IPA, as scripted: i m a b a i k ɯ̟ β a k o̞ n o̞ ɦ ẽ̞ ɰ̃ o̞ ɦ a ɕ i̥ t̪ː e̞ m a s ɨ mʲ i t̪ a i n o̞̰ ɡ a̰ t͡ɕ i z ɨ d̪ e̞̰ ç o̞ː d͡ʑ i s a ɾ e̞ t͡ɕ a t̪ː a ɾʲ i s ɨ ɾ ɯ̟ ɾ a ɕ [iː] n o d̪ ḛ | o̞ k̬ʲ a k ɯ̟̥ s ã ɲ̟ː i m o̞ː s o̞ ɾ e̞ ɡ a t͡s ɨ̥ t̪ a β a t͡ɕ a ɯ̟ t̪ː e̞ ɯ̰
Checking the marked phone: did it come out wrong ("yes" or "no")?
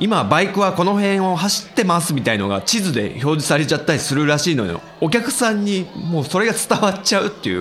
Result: no